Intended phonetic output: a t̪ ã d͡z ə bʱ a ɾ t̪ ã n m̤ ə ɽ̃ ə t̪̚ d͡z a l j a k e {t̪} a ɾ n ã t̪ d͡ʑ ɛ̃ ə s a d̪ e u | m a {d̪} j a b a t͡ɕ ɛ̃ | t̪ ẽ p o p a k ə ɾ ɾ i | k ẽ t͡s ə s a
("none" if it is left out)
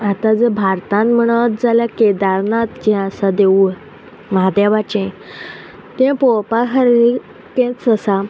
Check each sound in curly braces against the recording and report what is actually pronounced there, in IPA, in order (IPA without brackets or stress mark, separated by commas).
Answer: d̪, d̪